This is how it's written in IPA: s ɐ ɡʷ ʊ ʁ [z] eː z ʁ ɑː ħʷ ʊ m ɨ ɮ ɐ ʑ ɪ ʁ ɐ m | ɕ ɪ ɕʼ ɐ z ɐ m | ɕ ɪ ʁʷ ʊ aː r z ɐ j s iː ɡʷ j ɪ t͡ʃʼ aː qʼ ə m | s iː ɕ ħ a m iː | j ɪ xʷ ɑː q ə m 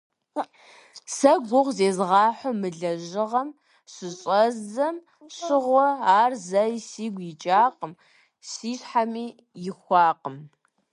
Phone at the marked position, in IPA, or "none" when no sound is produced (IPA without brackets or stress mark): z